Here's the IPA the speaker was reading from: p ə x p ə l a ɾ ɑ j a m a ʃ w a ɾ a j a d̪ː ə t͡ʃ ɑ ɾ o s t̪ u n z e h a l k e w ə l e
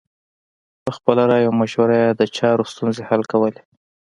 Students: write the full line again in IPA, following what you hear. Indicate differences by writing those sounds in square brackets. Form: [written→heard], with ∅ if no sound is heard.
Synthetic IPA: p ə x p ə l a ɾ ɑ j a m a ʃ w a ɾ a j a [d̪ː→d̪] ə t͡ʃ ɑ ɾ o s t̪ u n z e h a l k [e→a] w ə l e